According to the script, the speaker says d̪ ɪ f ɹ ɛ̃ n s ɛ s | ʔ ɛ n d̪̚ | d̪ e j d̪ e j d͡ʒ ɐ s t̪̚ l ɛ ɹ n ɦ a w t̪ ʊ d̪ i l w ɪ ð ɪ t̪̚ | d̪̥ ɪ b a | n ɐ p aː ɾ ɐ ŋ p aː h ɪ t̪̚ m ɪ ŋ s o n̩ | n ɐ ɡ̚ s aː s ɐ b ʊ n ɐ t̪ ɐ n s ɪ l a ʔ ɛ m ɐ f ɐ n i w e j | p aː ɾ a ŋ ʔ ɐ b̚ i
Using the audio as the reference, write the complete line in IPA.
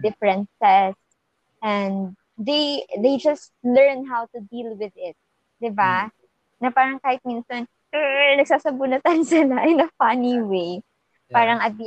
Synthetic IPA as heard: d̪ ɪ f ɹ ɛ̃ n s ɛ s | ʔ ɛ n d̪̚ | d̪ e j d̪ e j d͡ʒ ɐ s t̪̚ l ɛ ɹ n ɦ a w t̪ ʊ d̪ i l w ɪ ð ɪ t̪̚ | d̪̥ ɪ b a | n ɐ p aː ɾ ɐ ŋ k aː h ɪ t̪̚ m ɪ n s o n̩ | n ɐ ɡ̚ s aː s ɐ b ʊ n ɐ t̪ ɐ n s ɪ l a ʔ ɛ n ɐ f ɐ n i w e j | p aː ɾ ɐ ŋ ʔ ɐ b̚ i